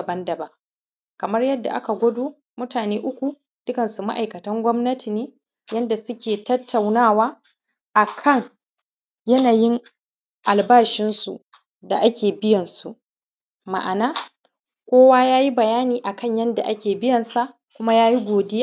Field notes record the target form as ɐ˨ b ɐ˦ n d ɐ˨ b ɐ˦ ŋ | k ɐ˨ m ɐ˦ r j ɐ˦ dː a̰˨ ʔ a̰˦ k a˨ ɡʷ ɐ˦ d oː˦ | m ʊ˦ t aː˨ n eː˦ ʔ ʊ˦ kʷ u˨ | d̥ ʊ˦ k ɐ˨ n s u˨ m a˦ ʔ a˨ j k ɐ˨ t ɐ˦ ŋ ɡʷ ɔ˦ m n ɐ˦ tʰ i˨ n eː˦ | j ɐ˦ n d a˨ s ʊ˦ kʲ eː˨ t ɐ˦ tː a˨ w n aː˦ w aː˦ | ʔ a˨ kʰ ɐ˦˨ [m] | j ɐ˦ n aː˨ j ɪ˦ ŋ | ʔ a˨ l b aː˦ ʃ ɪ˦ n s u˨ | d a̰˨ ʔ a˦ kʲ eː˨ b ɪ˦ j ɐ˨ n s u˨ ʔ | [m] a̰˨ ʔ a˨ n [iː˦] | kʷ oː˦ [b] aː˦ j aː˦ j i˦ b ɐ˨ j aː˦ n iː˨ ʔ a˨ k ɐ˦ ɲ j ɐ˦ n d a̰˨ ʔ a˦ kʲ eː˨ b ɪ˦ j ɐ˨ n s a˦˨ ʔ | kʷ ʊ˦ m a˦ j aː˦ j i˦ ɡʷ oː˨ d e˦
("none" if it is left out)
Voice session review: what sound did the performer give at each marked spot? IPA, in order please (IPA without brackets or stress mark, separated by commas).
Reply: ŋ, m, aː˦, w